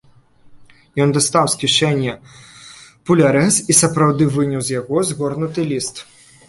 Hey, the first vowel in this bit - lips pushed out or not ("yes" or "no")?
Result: yes